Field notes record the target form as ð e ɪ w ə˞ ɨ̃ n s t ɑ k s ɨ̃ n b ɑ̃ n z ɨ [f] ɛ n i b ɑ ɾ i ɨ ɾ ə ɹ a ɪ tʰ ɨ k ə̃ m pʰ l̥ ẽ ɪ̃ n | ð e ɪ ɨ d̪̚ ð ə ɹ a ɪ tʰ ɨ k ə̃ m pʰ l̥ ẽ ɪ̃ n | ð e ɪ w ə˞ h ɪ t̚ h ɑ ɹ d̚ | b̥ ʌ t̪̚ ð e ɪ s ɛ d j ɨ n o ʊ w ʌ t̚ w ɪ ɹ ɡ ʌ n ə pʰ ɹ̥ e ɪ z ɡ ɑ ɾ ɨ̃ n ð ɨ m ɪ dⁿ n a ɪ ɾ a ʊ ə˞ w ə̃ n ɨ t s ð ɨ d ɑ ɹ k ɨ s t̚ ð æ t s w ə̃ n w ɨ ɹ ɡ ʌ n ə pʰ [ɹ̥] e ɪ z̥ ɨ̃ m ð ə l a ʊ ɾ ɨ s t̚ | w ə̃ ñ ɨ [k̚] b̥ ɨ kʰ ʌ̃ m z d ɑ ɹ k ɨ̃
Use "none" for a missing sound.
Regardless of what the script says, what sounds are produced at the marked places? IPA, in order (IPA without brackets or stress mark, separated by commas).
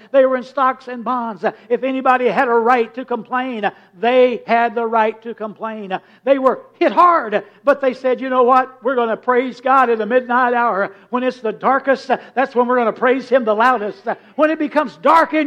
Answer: f, ɹ̥, t̚